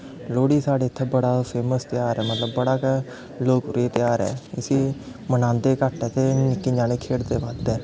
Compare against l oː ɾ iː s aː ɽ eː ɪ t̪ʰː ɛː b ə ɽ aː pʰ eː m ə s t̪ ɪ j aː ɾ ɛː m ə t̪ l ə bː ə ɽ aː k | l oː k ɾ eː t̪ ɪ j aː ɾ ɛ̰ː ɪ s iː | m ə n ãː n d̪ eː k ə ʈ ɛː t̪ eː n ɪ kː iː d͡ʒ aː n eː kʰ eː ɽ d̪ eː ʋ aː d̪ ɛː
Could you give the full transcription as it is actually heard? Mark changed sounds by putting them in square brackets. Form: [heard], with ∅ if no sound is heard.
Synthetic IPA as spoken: l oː [ɽ] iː s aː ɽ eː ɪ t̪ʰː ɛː b ə ɽ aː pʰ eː m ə s t̪ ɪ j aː ɾ ɛː m ə t̪ l ə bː ə ɽ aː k | l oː k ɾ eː t̪ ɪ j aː ɾ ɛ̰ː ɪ s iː | m ə n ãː n d̪ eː k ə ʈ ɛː t̪ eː n ɪ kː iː d͡ʒ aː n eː kʰ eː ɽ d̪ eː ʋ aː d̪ ɛː